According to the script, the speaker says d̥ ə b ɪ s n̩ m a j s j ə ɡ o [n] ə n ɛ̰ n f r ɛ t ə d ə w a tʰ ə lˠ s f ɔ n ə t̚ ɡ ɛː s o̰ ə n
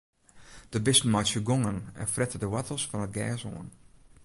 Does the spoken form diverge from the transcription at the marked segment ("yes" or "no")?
yes